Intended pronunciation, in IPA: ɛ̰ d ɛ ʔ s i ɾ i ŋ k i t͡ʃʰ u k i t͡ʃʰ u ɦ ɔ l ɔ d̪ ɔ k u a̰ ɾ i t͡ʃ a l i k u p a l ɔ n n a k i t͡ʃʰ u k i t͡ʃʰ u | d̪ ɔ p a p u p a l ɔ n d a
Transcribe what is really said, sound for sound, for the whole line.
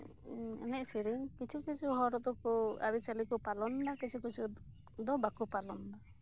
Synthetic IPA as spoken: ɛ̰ n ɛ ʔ s i ɾ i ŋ k i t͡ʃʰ u k i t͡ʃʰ u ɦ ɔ ɾ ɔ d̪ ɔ k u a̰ ɾ i t͡ʃ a l i k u p a l ɔ n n a k i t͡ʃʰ u k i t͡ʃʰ u | d̪ ɔ b a k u p a l ɔ n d a

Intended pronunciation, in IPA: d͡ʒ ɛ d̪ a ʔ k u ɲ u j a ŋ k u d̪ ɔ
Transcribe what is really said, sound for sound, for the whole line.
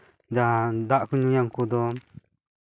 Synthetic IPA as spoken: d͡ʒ a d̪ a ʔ k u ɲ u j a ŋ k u d̪ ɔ

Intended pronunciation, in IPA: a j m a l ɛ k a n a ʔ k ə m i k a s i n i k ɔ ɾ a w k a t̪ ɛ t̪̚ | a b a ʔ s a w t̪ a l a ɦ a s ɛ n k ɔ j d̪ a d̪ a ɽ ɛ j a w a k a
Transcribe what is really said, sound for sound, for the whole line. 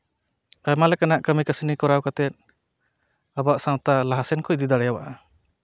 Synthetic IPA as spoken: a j m a l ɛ k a n a ʔ k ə m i k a s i n i k ɔ ɾ a w k a t̪ ɛ t̪̚ | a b a ʔ s a w t̪ a l a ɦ a s ɛ n k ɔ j d̪ i d̪ a ɽ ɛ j a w a ʔ a

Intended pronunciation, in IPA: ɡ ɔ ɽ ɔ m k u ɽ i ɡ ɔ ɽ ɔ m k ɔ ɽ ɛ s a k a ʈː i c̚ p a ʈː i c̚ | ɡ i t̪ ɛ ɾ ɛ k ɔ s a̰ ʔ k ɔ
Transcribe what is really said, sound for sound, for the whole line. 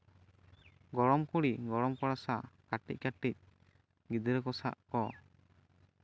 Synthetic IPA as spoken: ɡ ɔ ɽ ɔ m k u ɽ i ɡ ɔ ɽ ɔ m k ɔ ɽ a s a k a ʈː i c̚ k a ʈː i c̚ | ɡ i d̪ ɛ ɾ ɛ k ɔ s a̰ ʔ k ɔ

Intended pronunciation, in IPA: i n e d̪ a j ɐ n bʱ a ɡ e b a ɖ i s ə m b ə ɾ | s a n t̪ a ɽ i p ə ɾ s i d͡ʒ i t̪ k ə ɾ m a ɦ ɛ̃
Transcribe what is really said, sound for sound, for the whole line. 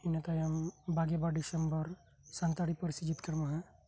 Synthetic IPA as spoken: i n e t̪ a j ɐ m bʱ a ɡ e b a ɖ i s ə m b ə ɾ | s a n t̪ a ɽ i p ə ɾ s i d͡ʒ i t̪ k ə ɾ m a ɦ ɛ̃

